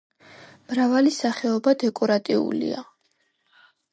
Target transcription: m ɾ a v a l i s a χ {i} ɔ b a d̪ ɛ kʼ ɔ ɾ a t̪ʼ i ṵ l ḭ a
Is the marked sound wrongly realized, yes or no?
yes